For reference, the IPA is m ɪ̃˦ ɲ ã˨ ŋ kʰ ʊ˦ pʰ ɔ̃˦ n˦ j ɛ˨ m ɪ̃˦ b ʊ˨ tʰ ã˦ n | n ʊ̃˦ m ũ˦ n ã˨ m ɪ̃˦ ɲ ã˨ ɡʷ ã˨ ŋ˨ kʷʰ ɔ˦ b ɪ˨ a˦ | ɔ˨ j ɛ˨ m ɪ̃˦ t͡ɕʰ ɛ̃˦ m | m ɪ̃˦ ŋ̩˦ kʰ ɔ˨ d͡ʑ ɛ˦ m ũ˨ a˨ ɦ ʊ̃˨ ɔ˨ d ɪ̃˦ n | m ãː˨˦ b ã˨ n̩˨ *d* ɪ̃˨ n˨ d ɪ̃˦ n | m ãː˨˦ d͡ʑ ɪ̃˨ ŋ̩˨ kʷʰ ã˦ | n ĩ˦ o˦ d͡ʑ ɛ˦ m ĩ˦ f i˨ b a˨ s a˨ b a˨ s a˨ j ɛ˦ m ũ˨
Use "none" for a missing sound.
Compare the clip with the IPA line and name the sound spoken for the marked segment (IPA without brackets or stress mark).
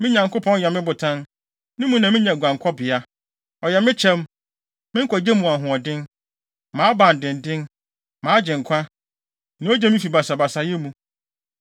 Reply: d